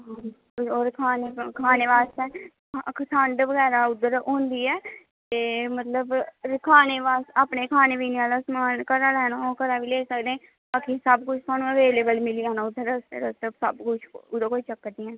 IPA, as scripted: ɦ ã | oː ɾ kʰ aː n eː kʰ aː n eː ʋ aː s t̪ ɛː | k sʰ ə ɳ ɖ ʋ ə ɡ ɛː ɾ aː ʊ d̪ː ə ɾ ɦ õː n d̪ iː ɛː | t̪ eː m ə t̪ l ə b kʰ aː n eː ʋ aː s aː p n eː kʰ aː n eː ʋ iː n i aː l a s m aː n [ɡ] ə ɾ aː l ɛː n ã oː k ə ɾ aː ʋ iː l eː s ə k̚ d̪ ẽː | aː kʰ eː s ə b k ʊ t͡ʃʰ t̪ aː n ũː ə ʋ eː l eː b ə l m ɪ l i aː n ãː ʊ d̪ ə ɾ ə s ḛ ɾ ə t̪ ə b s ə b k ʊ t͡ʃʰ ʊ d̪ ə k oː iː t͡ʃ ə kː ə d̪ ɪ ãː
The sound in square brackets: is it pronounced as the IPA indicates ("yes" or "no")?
no